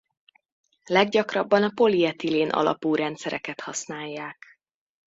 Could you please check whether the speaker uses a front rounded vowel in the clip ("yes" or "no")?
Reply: no